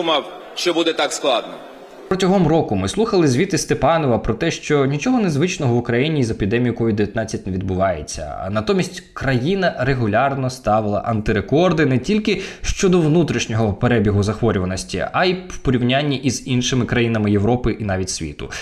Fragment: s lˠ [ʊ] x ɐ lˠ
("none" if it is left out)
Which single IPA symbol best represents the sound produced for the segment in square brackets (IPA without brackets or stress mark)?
u